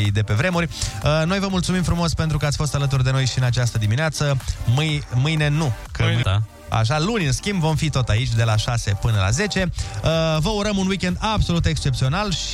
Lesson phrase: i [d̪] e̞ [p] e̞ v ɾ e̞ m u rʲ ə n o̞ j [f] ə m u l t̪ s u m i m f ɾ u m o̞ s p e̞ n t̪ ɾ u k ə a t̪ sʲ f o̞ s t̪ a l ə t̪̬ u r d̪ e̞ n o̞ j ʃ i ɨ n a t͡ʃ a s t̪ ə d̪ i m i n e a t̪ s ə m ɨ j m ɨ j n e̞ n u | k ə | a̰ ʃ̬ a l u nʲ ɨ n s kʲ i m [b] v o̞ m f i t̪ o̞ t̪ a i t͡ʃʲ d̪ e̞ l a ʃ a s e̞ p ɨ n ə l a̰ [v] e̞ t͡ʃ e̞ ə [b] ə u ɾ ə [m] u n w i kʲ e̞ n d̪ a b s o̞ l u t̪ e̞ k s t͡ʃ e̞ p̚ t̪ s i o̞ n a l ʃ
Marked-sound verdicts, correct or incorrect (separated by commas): correct, correct, incorrect, correct, incorrect, incorrect, correct